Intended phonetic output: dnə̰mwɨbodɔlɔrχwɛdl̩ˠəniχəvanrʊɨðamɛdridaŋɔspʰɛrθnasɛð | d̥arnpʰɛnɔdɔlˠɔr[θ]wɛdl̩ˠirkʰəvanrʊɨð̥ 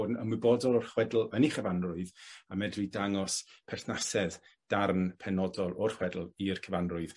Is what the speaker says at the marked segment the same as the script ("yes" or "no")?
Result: no